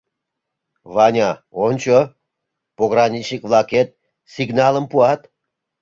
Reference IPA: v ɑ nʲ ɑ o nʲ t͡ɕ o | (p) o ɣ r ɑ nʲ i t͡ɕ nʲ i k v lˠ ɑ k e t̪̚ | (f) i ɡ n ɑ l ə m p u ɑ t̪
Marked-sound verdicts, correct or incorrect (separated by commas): correct, incorrect